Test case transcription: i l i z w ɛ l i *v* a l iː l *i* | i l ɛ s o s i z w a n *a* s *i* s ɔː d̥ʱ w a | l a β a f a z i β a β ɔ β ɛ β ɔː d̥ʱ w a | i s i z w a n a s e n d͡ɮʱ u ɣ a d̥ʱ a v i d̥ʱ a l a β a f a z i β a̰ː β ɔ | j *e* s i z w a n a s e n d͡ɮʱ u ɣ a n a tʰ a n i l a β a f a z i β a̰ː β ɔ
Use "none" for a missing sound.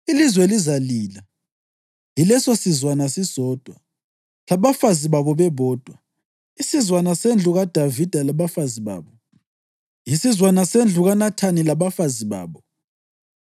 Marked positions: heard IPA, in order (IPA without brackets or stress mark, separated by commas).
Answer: z, a, a, i, i